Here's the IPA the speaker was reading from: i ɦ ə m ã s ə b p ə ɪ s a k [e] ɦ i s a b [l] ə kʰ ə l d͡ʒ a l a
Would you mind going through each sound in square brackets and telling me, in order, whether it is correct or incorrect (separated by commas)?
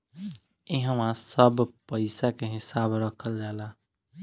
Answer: correct, incorrect